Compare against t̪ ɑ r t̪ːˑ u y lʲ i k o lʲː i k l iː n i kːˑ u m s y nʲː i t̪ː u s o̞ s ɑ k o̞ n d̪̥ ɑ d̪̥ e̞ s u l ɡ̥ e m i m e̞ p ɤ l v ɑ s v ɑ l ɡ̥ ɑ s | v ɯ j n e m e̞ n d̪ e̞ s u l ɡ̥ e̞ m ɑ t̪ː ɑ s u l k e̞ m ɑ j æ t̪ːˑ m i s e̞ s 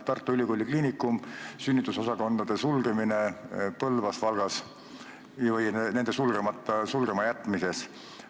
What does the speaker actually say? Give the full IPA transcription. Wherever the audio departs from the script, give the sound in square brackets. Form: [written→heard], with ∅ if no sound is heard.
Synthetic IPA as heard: t̪ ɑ r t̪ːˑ u y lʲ i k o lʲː i k l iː n i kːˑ u m s y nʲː i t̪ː u s o̞ s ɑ k o̞ n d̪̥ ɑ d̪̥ e̞ s u l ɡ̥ e m i [m→n] e̞ p ɤ l v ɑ s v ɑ l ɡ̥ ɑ s | v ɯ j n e [m→n] e̞ n d̪ e̞ s u l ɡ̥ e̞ m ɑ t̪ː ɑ s u l [k→ɡ] e̞ m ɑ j æ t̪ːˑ m i s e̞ s